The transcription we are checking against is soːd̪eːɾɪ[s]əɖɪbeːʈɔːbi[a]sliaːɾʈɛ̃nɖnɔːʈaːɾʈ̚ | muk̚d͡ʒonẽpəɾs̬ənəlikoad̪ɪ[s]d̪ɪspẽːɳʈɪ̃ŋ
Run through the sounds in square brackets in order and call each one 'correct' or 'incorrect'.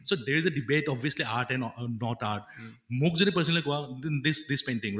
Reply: incorrect: z, incorrect: ə, correct

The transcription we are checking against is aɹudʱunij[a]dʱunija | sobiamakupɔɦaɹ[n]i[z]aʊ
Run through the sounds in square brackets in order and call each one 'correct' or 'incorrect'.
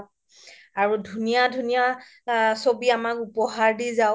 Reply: correct, incorrect: d, correct

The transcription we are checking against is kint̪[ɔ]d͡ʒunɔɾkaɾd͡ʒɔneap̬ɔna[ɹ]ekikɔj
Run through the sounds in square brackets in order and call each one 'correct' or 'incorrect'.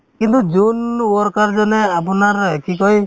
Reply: incorrect: u, incorrect: ɾ

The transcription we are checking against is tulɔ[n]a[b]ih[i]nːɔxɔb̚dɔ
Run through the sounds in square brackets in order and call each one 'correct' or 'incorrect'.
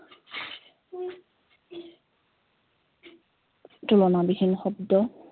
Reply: correct, correct, correct

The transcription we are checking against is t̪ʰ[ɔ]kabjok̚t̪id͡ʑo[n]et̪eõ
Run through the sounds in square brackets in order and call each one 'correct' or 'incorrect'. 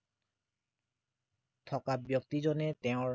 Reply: correct, correct

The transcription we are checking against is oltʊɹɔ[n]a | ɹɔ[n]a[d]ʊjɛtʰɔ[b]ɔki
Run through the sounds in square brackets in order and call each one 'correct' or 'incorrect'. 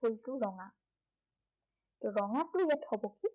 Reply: incorrect: ŋ, incorrect: ŋ, incorrect: t, correct

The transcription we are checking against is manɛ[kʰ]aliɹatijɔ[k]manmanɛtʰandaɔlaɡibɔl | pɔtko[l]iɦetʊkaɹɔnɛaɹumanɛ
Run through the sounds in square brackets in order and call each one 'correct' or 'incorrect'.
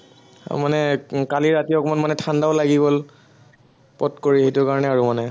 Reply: incorrect: k, correct, incorrect: ɹ

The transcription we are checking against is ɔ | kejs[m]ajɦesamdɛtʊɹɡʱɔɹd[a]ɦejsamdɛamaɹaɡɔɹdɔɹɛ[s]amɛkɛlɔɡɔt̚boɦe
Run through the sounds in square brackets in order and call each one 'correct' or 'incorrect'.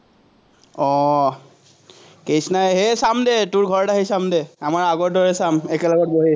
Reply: incorrect: n, correct, correct

